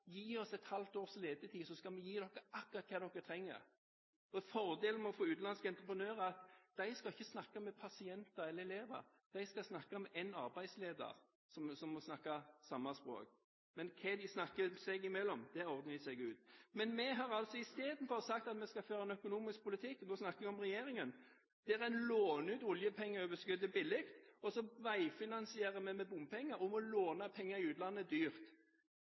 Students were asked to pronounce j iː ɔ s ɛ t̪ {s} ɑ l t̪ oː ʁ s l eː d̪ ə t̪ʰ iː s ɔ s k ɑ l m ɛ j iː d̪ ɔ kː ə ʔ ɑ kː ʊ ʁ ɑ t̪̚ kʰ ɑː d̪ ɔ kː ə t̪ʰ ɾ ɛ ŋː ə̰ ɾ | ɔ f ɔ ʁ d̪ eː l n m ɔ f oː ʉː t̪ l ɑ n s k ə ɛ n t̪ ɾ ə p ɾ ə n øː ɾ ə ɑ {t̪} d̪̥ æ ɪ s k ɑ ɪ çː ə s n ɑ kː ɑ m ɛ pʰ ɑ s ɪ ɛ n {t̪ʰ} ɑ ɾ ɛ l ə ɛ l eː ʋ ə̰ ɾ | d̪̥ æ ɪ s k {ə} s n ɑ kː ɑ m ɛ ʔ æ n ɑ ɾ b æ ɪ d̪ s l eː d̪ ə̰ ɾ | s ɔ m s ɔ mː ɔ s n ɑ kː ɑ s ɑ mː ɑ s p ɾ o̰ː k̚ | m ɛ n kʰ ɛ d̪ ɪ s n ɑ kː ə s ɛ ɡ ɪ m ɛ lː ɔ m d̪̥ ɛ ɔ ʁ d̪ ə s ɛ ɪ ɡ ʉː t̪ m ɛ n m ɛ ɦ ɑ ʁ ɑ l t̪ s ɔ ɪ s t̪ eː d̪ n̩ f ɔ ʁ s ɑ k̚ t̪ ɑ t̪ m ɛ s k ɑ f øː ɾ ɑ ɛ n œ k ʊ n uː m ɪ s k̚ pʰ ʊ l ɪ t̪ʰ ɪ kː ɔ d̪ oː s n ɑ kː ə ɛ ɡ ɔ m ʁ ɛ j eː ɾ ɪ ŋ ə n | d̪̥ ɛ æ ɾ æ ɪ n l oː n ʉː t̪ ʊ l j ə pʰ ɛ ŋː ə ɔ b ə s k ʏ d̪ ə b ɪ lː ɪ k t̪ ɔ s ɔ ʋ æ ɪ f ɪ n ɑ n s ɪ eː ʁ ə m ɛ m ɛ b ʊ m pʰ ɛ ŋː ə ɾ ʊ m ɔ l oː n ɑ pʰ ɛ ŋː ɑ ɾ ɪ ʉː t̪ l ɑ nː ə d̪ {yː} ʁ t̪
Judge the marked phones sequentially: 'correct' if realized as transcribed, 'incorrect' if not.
incorrect: h, correct, incorrect: t̪, incorrect: ɑ, correct

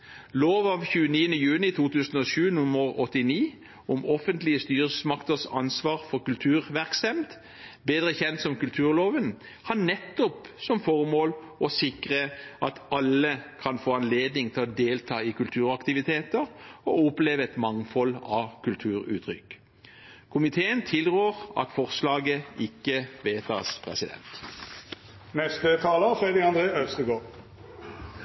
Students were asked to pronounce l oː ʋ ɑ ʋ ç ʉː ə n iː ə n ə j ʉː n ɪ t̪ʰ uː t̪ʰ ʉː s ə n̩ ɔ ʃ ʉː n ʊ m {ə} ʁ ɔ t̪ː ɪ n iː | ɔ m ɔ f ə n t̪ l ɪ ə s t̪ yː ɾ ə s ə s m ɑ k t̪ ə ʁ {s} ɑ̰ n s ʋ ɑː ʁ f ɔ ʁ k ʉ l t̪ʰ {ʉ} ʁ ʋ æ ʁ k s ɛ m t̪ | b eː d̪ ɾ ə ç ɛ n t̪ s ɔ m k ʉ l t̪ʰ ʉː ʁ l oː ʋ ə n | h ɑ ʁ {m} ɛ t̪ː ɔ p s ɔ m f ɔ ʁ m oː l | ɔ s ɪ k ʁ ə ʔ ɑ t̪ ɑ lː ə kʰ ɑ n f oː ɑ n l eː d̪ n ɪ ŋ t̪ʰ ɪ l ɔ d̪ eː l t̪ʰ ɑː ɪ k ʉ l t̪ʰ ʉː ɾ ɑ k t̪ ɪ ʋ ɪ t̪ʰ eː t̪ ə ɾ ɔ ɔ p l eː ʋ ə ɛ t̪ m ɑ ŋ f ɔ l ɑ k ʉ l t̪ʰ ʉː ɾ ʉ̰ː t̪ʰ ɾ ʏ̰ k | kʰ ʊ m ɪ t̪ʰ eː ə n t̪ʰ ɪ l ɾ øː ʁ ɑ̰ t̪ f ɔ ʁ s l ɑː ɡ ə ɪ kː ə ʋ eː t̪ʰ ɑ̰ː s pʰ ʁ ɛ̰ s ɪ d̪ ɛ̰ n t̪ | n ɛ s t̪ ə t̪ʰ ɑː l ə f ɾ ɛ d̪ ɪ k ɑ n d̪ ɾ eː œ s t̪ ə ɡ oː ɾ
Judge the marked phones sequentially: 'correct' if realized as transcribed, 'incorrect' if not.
correct, correct, incorrect: ʉː, incorrect: n

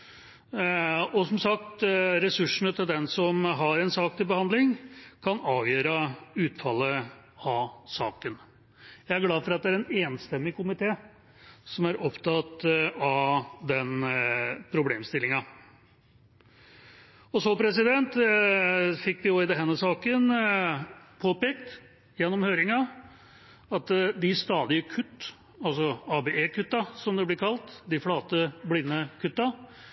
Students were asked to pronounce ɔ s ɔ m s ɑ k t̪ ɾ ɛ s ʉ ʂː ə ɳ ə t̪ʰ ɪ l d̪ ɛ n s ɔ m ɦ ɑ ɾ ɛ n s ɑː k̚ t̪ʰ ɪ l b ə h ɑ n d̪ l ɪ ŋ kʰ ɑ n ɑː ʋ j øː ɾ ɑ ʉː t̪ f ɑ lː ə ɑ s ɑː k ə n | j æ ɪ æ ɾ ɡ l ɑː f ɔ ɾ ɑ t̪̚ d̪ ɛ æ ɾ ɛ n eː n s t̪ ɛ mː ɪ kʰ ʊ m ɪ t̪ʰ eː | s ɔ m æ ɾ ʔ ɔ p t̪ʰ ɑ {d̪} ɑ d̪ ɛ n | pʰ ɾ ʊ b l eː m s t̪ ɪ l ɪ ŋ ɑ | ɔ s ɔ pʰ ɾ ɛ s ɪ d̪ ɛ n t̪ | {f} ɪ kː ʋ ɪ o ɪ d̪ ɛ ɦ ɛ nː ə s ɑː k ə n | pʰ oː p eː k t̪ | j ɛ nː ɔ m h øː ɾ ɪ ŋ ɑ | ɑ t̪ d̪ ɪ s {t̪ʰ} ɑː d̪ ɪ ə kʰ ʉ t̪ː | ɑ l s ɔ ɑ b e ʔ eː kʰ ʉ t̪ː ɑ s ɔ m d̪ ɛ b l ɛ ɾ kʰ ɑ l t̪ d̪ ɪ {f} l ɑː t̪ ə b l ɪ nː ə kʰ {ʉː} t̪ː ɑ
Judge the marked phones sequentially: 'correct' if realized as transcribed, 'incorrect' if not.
incorrect: t̪, correct, incorrect: t̪, correct, incorrect: ʉ

